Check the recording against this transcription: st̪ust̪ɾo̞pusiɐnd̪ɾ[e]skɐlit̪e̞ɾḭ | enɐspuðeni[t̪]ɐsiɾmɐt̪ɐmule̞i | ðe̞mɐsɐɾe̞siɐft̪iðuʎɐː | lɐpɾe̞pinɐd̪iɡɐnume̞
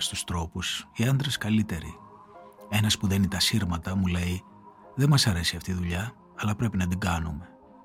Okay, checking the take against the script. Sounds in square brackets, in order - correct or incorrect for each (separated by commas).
correct, correct